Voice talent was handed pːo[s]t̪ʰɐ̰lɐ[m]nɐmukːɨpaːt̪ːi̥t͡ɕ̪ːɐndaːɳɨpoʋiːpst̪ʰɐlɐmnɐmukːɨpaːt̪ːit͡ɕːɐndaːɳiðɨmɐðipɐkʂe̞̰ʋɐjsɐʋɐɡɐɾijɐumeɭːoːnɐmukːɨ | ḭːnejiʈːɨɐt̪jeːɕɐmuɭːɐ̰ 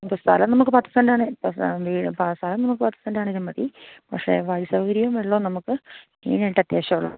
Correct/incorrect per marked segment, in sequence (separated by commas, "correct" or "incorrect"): correct, correct